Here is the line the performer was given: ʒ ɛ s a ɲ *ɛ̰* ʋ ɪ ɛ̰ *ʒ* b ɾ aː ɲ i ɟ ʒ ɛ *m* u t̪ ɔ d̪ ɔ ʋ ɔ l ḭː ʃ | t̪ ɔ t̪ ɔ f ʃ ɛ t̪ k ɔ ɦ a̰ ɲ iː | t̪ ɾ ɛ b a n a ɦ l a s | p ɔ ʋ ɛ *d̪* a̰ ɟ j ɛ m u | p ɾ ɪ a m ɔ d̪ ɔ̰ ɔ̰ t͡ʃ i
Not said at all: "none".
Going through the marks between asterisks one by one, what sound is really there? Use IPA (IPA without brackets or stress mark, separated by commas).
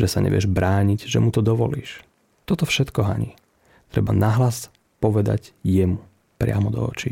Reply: ɛ̰, ʒ, m, d̪